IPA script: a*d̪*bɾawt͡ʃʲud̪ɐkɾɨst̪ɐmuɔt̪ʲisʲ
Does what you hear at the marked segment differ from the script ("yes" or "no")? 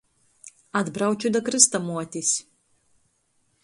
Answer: no